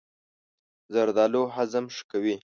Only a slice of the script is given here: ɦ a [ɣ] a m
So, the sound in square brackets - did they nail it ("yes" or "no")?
no